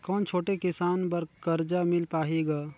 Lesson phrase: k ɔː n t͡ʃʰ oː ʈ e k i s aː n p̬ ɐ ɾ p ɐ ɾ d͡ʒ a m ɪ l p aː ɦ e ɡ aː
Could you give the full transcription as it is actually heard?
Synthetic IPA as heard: k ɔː n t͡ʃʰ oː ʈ e k ɪ s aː n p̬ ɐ ɾ k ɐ ɾ d͡ʒ a m ɪ l p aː ɦ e ɡ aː